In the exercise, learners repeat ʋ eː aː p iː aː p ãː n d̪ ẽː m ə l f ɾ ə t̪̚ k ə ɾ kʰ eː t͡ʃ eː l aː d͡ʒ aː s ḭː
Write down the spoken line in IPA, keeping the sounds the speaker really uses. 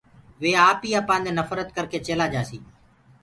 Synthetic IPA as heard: ʋ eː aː p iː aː p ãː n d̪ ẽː n ə f ɾ ə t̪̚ k ə ɾ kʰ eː t͡ʃ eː l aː d͡ʒ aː s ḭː